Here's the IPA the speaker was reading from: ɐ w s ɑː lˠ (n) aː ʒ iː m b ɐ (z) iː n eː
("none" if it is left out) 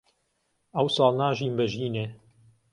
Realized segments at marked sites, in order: n, ʒ

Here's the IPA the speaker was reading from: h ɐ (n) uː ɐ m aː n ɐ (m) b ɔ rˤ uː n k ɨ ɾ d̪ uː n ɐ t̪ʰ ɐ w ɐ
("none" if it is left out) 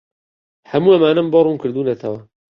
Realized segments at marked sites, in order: m, m

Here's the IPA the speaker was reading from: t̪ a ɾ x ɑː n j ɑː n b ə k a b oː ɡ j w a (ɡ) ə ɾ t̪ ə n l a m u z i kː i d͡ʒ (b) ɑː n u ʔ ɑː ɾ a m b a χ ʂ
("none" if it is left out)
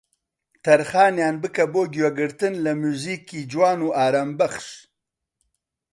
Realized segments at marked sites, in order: ɡ, w

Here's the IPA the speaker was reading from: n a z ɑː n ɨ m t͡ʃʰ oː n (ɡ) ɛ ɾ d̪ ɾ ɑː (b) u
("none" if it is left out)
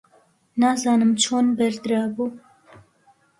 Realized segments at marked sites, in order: b, b

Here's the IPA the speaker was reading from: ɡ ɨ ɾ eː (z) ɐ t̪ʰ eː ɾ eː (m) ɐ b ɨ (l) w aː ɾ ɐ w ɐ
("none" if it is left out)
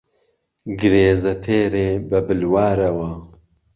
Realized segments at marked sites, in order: z, b, l

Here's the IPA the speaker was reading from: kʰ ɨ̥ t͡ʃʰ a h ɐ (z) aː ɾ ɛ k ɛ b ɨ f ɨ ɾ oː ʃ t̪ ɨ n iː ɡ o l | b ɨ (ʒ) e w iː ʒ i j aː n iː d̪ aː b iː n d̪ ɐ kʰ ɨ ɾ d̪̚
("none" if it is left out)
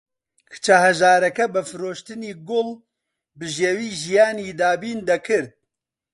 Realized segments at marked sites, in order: ʒ, ʒ

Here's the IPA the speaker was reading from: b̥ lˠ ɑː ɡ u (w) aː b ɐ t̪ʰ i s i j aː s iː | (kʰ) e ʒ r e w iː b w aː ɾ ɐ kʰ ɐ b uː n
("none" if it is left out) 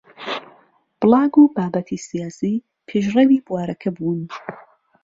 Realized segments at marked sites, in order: b, pʰ

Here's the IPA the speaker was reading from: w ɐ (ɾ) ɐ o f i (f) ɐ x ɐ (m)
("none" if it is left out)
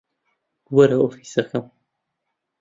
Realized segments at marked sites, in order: ɾ, s, m

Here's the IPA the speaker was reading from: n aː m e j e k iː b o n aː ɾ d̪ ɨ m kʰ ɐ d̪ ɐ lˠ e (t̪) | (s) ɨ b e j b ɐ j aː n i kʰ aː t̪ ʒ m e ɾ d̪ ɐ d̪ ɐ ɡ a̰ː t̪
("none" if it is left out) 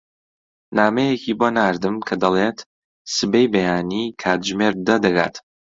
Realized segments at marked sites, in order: t̪, s

